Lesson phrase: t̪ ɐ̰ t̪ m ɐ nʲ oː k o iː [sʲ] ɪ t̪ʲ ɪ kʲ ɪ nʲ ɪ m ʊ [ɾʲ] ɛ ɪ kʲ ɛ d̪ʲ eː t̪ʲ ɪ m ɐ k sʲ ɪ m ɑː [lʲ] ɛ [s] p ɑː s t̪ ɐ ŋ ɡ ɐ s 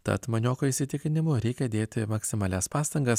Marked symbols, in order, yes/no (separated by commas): yes, yes, yes, yes